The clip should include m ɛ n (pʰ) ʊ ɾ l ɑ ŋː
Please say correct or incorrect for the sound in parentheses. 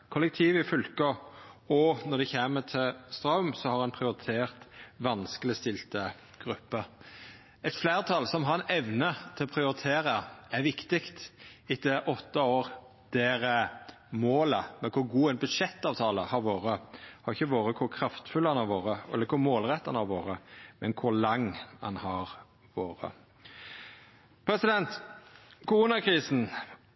incorrect